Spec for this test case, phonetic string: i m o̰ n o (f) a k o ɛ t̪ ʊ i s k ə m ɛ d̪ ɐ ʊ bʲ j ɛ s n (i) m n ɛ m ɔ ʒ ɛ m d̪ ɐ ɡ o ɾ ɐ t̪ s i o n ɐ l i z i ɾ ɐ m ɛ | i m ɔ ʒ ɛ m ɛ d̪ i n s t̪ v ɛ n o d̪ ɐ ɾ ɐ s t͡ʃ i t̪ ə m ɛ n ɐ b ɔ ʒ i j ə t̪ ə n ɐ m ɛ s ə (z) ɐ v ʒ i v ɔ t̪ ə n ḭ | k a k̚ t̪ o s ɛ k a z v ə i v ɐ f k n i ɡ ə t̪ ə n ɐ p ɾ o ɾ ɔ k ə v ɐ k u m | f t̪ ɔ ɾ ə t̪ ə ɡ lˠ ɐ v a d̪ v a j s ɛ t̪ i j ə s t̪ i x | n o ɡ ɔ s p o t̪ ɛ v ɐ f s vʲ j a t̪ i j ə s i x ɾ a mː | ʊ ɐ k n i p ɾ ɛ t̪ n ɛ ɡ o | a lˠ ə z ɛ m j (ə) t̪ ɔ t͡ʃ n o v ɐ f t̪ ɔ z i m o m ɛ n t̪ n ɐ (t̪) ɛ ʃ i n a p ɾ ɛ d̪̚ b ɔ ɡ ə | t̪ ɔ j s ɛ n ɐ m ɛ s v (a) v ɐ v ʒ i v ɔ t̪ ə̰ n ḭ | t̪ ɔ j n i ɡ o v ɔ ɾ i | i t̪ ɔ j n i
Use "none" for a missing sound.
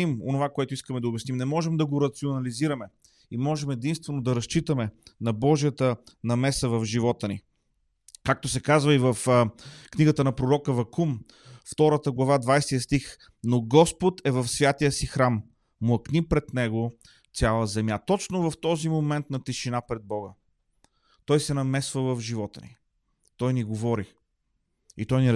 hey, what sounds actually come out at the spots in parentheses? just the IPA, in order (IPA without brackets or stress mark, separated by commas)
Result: v, i, v, a, t̪, ə